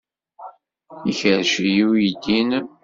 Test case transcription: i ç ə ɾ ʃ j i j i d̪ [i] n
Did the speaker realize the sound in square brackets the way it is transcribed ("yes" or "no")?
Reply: yes